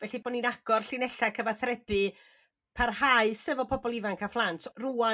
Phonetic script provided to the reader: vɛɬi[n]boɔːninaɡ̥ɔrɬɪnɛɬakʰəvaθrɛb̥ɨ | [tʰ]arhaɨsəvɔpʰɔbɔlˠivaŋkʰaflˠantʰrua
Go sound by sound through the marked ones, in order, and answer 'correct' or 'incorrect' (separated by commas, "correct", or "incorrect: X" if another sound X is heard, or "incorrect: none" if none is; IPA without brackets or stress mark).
incorrect: none, incorrect: pʰ